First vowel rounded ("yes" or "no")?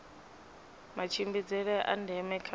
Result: no